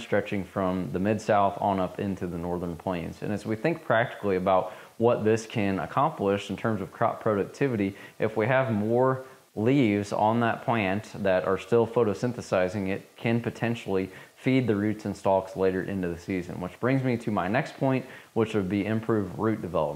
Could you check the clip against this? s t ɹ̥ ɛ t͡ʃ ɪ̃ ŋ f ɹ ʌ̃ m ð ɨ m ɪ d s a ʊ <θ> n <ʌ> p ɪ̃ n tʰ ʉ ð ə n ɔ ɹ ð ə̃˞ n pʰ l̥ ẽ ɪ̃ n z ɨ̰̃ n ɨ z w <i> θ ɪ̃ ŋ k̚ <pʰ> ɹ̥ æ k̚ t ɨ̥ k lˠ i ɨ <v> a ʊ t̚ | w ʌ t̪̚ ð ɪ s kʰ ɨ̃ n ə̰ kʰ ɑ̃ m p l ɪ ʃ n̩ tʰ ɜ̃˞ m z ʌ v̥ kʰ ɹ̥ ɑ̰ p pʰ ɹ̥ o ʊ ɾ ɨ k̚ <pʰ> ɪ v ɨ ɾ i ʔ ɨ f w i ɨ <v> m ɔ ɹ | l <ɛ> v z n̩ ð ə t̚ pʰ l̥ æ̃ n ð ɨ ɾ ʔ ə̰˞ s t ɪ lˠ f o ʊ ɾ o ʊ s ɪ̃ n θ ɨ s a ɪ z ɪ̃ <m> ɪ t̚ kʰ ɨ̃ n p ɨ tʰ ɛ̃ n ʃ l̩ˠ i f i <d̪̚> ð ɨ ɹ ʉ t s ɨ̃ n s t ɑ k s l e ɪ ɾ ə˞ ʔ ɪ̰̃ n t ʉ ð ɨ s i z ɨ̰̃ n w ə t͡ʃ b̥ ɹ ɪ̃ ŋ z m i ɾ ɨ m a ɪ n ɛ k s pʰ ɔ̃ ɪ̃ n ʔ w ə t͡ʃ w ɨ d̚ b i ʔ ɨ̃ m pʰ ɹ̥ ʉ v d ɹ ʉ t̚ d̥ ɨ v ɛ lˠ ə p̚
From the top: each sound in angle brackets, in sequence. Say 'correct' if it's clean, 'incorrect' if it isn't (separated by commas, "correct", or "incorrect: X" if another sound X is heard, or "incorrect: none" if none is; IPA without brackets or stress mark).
correct, correct, correct, correct, incorrect: b, incorrect: tʰ, correct, incorrect: i, incorrect: ŋ, correct